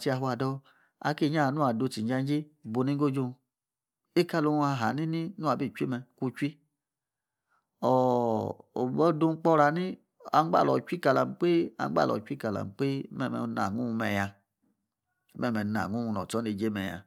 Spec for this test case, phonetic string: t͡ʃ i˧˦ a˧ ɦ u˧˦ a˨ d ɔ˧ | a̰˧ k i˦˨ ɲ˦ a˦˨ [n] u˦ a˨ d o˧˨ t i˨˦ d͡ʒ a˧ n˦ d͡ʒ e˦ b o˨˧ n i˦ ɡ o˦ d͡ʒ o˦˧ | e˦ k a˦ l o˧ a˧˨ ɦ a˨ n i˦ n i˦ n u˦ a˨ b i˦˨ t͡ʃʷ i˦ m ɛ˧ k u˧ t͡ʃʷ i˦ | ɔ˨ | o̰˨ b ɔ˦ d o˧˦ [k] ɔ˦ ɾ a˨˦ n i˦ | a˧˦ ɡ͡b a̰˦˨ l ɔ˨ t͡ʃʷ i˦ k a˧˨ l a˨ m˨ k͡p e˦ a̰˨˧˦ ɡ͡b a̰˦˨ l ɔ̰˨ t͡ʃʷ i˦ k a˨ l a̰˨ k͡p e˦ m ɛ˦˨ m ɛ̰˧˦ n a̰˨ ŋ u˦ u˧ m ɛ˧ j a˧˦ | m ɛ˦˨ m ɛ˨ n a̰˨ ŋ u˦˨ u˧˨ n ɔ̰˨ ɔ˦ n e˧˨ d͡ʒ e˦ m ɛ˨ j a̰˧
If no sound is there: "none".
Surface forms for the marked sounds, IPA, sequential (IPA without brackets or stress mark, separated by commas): n, k͡p